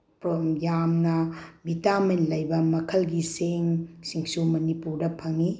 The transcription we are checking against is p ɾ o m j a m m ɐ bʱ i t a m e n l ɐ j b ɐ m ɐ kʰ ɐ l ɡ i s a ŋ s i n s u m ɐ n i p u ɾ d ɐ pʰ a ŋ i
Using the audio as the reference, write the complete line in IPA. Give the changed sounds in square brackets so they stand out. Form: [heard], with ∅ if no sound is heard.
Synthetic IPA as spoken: p ɾ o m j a m [n] ɐ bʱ i t a m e n l ɐ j b ɐ m ɐ kʰ ɐ l ɡ i s [e] ŋ s i [ŋ] s u m ɐ n i p u ɾ d ɐ pʰ [ɐ] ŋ i